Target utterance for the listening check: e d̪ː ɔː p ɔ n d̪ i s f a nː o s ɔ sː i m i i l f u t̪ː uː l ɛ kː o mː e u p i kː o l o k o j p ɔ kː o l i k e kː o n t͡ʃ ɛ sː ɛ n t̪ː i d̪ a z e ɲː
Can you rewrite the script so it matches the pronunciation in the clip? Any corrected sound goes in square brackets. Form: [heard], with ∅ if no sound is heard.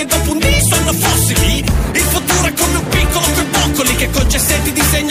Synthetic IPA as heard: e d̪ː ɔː p [u] n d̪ i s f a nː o [f] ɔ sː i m i i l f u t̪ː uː [ɾ] ɛ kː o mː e u p i kː o l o k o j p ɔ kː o l i k e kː o n t͡ʃ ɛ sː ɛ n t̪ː i d̪ [i] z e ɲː